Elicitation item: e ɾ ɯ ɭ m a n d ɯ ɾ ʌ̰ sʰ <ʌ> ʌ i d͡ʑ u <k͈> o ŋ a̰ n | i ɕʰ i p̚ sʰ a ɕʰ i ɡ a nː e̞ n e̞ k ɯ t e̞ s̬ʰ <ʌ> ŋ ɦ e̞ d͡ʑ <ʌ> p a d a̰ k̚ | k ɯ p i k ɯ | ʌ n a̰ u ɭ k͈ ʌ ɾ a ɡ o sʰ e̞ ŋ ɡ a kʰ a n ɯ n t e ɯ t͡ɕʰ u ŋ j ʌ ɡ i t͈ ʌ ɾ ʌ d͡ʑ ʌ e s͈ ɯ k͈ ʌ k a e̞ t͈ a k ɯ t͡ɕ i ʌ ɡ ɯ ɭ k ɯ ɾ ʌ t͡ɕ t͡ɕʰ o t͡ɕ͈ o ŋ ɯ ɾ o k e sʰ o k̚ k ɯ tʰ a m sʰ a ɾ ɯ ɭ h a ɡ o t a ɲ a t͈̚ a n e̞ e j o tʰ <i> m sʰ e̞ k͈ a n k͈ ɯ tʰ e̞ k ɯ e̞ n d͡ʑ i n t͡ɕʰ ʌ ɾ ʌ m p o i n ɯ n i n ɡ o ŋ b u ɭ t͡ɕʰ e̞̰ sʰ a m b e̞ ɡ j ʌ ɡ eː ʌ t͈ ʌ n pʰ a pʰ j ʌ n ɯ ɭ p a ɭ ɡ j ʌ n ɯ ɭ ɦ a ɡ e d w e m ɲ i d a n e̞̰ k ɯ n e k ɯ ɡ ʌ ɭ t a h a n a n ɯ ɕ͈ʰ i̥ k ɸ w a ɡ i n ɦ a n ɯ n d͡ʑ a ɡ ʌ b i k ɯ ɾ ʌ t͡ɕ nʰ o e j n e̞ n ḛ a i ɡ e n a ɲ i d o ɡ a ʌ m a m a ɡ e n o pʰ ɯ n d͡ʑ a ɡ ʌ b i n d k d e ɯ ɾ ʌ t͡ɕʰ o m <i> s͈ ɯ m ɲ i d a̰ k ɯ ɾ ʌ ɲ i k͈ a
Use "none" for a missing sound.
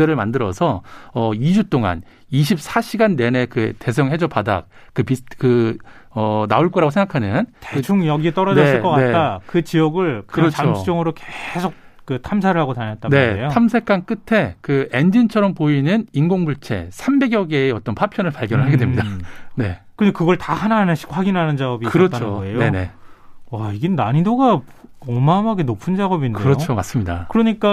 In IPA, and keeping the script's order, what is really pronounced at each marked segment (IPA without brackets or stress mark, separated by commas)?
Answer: ʌ, t͈, ʌ, ʌ, a, a